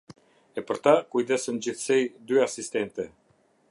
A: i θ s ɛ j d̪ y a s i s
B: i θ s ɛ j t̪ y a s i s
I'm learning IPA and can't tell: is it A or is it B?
A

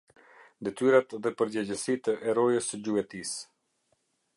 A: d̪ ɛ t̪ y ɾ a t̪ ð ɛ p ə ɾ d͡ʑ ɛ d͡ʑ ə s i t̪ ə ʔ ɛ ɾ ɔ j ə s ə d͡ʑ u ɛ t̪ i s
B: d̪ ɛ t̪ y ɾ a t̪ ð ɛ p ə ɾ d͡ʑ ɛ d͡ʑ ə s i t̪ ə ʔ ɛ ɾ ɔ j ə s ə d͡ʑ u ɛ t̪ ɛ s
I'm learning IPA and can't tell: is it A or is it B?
A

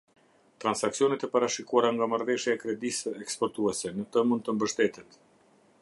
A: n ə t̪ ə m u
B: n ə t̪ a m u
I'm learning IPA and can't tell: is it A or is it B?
A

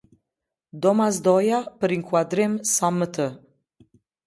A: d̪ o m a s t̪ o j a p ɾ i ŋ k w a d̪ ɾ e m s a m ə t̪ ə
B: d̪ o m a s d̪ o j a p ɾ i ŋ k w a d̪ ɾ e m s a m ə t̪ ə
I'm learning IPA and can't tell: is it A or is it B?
B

